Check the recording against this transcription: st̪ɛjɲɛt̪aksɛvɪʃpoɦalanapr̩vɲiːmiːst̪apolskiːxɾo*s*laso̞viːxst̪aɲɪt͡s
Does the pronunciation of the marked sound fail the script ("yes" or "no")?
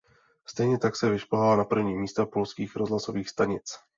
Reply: yes